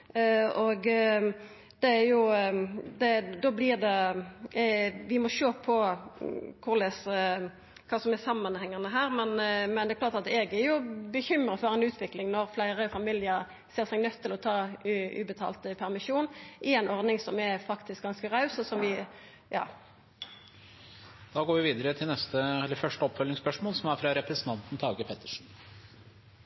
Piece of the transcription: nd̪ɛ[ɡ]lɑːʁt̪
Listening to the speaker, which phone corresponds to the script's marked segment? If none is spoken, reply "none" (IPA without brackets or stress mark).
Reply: k